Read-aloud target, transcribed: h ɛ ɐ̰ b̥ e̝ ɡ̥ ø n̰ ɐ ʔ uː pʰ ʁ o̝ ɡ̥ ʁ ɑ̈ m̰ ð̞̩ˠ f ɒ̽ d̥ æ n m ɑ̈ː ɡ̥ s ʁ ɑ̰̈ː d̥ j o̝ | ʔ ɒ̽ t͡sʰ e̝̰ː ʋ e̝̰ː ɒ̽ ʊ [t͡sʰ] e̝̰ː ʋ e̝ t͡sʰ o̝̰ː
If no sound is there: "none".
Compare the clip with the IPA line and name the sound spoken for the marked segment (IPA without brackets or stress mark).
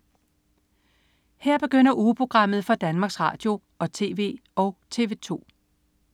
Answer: t͡sʰ